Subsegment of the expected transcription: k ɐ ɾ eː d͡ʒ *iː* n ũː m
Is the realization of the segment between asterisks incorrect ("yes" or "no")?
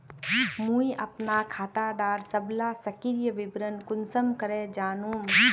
yes